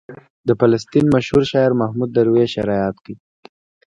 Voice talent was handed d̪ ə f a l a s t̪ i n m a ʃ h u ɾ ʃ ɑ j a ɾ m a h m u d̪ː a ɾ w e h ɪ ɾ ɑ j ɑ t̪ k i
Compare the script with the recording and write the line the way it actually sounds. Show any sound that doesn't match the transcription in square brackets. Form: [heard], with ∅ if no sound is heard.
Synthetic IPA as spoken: d̪ ə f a l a s t̪ i n m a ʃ h u ɾ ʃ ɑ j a ɾ m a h m u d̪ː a ɾ w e [ʃ] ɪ ɾ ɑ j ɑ t̪ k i

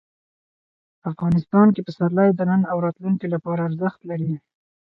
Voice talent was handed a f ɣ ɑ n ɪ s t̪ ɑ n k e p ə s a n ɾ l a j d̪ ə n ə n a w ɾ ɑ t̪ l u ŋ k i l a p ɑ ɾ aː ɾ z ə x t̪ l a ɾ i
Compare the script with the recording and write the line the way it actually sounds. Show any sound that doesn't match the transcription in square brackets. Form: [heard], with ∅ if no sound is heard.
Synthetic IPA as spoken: a f ɣ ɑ n ɪ s t̪ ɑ n k e p ə s a [∅] ɾ l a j d̪ ə n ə n a w ɾ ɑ t̪ l u ŋ k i l a p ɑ ɾ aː ɾ z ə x t̪ l a ɾ i

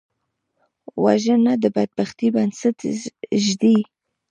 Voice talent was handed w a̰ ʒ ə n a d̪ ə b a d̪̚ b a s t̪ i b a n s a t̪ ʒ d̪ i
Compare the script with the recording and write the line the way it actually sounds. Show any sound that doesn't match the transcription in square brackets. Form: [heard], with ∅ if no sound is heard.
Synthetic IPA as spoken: w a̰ ʒ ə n a d̪ ə b a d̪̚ b a [x] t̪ i b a n s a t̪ ʒ d̪ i

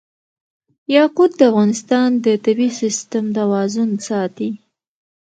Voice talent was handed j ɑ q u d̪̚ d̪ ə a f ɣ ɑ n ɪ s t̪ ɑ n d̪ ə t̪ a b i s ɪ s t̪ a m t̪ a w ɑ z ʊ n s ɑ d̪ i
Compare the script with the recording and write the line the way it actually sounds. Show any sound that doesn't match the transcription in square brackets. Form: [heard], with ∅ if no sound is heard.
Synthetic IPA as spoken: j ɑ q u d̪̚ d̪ ə a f ɣ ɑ n ɪ s t̪ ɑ n d̪ ə t̪ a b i s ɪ s t̪ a m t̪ a w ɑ z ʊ n s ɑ [t̪] i

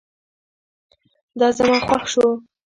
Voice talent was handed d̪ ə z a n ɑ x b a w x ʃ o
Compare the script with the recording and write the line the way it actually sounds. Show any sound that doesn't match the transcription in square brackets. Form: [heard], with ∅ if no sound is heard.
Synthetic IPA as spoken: d̪ [ɑ] z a [m] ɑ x [w] a [∅] x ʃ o

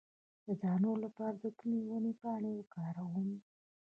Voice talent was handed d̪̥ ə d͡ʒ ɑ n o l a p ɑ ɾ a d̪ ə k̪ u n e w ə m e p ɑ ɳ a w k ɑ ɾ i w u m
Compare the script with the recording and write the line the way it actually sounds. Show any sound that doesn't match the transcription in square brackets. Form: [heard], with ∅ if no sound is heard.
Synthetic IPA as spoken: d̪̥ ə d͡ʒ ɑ n o l a p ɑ ɾ a d̪ ə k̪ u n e w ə [n] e p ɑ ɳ [e] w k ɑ ɾ [a] w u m

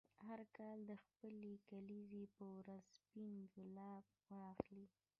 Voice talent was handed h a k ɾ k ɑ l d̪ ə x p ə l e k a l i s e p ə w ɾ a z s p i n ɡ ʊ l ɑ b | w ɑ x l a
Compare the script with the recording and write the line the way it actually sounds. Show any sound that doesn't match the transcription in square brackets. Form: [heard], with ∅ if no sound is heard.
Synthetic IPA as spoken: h a [∅] ɾ k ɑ l d̪ ə x p ə l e k a l i [z] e p ə w ɾ a z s p i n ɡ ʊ l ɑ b | w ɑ x l [i]

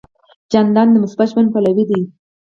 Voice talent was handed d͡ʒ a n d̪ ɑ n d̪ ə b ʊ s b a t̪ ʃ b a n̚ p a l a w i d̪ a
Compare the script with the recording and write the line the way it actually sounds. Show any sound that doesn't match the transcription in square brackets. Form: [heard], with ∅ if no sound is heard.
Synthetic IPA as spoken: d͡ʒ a n d̪ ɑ n d̪ ə [m] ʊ s b a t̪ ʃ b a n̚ p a l a w i d̪ [i]

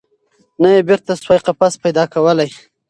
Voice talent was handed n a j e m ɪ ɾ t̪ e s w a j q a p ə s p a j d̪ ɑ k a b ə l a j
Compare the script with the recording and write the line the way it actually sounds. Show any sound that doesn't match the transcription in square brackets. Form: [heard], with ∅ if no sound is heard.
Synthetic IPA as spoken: n a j e [b] ɪ ɾ t̪ [a] s w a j q a p [a] s p a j d̪ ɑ k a [w] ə l a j

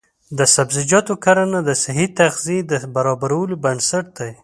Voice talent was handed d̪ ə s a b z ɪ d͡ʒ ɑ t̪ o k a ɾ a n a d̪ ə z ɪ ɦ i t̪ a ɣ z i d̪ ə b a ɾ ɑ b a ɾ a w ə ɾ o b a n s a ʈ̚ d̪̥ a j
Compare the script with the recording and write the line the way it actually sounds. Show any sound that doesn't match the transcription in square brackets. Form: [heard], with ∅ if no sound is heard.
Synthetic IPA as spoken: d̪ ə s a b z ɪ d͡ʒ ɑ t̪ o k a ɾ a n a d̪ ə [s] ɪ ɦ i t̪ a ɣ z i d̪ ə b a ɾ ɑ b a ɾ a w ə [l] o b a n s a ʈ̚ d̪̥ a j

